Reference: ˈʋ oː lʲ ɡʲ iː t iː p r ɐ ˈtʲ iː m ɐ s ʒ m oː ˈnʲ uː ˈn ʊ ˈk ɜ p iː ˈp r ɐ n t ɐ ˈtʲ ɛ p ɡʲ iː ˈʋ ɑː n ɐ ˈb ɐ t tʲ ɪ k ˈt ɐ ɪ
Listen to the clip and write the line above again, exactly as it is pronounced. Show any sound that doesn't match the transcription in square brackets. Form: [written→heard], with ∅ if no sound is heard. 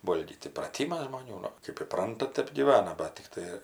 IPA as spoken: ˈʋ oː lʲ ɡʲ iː t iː p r ɐ ˈtʲ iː m ɐ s ʒ m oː ˈnʲ uː ˈn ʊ ˈk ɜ p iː ˈp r ɐ n t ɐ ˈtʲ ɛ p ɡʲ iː ˈʋ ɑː n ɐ ˈb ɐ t tʲ ɪ k ˈt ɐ ɪ